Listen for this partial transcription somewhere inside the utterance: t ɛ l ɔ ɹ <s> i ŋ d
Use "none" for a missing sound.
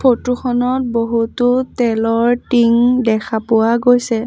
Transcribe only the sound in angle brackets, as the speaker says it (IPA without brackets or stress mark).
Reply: t